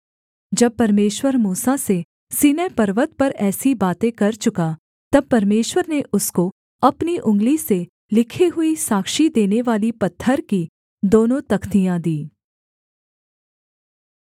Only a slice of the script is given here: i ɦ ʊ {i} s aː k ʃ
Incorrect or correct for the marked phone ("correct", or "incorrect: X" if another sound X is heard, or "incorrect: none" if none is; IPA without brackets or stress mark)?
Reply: correct